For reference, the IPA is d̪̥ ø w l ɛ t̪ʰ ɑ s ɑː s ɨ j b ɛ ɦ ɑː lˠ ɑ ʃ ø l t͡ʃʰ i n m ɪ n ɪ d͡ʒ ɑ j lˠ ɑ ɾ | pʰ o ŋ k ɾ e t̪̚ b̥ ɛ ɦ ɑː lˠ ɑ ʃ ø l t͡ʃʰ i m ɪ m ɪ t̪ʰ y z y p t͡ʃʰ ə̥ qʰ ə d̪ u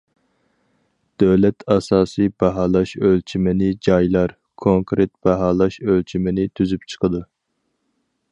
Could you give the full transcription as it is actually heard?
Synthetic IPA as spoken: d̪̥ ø w l ɛ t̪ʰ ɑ s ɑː s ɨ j b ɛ ɦ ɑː lˠ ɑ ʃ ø l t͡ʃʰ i m ɪ n ɪ d͡ʒ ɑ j lˠ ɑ ɾ | kʰ o ŋ k ɾ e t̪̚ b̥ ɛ ɦ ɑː lˠ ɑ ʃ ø l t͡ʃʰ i m ɪ n ɪ t̪ʰ y z y p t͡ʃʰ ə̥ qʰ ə d̪ u